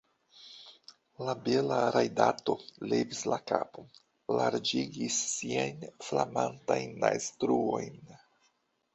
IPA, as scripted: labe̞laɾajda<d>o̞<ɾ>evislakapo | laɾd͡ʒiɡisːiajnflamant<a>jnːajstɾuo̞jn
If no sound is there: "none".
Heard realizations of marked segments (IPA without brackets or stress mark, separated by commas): t, l, a